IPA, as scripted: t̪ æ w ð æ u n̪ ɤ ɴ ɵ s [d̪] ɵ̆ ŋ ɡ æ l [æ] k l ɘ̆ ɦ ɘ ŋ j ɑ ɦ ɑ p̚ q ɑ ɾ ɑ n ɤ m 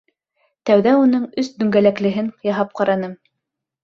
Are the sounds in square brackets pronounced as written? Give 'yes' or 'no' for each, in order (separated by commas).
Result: yes, yes